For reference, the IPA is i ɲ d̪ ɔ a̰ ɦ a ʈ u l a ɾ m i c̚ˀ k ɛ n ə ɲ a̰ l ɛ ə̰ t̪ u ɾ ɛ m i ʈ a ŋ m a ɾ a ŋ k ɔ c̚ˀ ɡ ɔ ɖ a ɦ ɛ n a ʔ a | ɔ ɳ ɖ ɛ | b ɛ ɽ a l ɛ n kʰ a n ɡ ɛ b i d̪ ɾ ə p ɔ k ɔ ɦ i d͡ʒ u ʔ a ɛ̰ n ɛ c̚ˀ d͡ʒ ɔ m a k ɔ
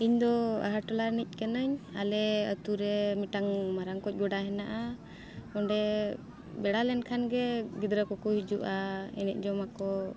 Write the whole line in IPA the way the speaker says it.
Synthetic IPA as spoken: i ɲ d̪ ɔ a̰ ɦ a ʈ ɔ l a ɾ n i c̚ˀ k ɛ n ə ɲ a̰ l ɛ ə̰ t̪ u ɾ ɛ m i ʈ a ŋ m a ɾ a ŋ k ɔ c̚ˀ ɡ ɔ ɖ a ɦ ɛ n a ʔ a | ɔ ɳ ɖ ɛ | b ɛ ɽ a l ɛ n kʰ a n ɡ ɛ ɡ i d̪ ɾ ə k ɔ k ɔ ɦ i d͡ʒ u ʔ a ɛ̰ n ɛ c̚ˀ d͡ʒ ɔ m a k ɔ